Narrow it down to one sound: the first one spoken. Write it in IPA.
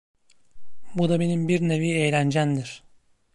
b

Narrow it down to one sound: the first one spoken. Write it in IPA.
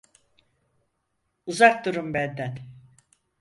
u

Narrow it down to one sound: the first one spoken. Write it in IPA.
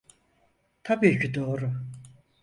t̪ʰ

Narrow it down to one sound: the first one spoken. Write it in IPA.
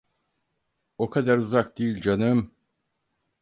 o̞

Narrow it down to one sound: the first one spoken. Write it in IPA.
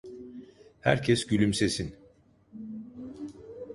h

